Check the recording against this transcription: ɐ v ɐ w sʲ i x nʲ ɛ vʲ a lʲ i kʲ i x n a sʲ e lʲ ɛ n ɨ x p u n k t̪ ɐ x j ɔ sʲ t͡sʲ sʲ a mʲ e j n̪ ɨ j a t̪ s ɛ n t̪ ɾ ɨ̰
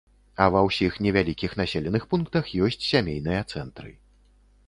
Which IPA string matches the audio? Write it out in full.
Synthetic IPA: ɐ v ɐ w sʲ i x nʲ ɛ vʲ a lʲ i kʲ i x n a sʲ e lʲ ɛ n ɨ x p u n k t̪ ɐ x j ɔ sʲ t͡sʲ sʲ a mʲ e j n̪ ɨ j ɐ t̪ s ɛ n t̪ ɾ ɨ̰